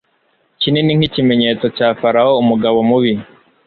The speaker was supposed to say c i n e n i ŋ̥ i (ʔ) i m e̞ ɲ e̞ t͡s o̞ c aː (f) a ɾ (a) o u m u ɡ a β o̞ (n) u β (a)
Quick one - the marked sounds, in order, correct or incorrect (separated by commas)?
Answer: incorrect, correct, correct, incorrect, incorrect